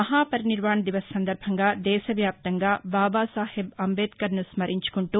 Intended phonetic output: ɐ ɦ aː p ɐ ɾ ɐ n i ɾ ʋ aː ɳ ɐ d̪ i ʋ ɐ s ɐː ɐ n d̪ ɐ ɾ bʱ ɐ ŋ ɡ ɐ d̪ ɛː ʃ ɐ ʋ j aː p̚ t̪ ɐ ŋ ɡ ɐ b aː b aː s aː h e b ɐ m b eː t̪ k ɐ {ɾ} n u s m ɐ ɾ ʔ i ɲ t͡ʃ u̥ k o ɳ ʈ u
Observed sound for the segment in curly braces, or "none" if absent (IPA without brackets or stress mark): ɾ